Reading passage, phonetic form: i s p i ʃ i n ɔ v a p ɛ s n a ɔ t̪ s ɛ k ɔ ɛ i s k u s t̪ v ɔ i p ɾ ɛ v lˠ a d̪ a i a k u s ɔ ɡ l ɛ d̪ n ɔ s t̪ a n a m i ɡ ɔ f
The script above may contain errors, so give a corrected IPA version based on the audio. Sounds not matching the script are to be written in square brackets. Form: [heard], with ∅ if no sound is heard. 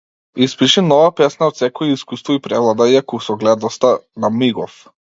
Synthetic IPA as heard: i s p i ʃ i n ɔ v a p ɛ s n a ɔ t̪ s ɛ k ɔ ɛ i s k u s t̪ v ɔ i p ɾ ɛ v lˠ a d̪ a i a k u s ɔ ɡ l ɛ d̪ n ɔ s t̪ a n a m i ɡ ɔ f